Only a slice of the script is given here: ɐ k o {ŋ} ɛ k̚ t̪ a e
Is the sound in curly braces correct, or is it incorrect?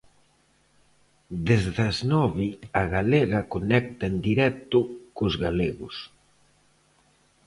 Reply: incorrect